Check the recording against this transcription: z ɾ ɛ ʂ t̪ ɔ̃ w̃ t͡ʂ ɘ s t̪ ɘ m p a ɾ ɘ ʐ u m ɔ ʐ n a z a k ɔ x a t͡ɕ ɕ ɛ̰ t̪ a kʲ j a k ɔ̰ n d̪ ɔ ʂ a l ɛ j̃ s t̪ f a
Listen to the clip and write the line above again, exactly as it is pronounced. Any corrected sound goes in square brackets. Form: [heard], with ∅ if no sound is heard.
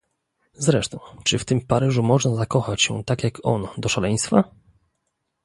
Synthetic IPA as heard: z ɾ ɛ ʂ t̪ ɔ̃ w̃ t͡ʂ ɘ [f] t̪ ɘ m p a ɾ ɘ ʐ u m ɔ ʐ n a z a k ɔ x a t͡ɕ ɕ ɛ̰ t̪ a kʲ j a k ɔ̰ n d̪ ɔ ʂ a l ɛ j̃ s t̪ f a